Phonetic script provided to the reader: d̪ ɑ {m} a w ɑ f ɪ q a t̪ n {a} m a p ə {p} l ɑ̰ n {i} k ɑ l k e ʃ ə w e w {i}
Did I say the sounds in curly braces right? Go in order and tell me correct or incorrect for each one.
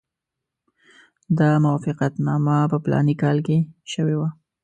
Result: correct, incorrect, correct, correct, incorrect

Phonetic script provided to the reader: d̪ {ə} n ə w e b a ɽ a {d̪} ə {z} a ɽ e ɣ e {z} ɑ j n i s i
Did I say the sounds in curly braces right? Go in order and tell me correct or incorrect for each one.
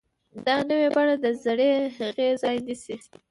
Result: incorrect, correct, correct, correct

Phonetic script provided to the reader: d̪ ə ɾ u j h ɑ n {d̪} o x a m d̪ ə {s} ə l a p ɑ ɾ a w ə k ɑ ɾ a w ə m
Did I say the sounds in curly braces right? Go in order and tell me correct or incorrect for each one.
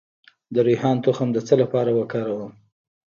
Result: incorrect, incorrect

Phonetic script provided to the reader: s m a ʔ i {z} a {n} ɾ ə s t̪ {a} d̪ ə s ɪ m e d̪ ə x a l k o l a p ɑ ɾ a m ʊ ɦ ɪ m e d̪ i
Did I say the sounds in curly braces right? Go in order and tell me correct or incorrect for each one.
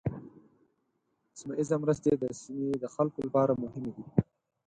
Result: correct, incorrect, incorrect

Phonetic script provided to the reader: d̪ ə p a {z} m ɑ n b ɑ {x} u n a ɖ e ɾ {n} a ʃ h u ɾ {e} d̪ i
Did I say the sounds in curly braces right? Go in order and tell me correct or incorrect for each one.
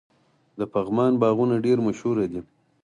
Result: incorrect, incorrect, incorrect, incorrect

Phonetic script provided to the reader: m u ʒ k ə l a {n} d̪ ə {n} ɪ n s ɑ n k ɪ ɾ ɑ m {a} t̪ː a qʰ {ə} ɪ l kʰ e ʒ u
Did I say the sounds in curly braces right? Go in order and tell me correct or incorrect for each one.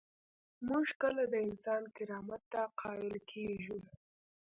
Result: incorrect, incorrect, correct, incorrect

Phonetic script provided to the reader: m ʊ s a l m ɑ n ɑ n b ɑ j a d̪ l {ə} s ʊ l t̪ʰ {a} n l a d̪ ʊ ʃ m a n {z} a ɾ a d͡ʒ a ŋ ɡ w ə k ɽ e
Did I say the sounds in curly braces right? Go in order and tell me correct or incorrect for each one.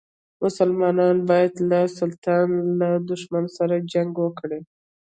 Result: incorrect, incorrect, incorrect

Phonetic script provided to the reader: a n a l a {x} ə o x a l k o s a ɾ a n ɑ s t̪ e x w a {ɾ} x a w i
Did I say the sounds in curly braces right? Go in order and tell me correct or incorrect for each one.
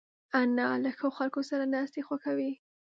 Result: correct, incorrect

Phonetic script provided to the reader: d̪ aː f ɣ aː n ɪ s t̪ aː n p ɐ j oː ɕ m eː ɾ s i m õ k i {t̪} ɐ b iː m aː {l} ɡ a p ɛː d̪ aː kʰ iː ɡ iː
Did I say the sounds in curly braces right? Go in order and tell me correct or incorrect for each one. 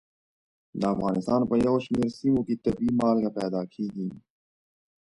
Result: correct, correct

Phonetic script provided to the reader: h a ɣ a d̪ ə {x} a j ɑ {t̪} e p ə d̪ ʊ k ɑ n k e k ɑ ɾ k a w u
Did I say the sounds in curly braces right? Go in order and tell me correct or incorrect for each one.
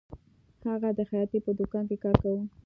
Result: correct, correct

